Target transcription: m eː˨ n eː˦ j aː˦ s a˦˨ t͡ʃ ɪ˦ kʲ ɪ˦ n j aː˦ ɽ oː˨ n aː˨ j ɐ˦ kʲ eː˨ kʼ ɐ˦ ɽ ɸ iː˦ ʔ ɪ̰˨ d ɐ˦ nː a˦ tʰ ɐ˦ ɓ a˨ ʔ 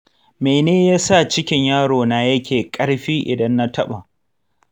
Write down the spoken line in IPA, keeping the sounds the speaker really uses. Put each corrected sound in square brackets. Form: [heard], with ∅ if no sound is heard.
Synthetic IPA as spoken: m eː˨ n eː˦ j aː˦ s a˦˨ t͡ʃ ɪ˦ kʲ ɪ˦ [ɲ] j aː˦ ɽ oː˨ n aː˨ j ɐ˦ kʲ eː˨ kʼ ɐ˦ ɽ ɸ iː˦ ʔ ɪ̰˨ d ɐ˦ nː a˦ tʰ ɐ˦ ɓ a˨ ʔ